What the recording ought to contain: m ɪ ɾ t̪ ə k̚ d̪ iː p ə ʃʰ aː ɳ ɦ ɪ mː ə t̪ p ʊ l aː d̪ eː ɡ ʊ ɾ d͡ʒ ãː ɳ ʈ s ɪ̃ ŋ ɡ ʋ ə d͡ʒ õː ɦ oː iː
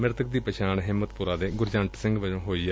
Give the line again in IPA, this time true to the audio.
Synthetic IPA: m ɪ ɾ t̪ ə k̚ d̪ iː p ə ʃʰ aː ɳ ɦ ɪ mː ə t̪ p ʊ ɾ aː d̪ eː ɡ ʊ ɾ d͡ʒ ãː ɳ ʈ s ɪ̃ ŋ ɡ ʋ ə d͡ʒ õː ɦ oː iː